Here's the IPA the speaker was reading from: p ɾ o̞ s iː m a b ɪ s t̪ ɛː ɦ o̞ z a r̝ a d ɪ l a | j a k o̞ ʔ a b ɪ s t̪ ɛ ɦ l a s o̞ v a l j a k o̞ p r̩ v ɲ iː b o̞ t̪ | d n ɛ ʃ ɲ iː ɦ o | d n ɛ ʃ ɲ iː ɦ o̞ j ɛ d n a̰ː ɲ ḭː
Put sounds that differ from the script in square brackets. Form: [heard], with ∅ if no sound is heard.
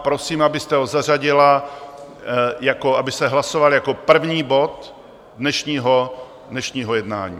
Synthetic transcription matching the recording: p ɾ o̞ s iː m a b ɪ s t̪ [ɛ] ɦ o̞ z a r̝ a [ɟ] ɪ l a | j a k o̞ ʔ a b ɪ s t̪ ɛ ɦ l a s o̞ v a l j a k o̞ p r̩ v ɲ iː b o̞ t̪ | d n ɛ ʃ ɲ iː ɦ o | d n ɛ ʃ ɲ iː ɦ o̞ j ɛ d n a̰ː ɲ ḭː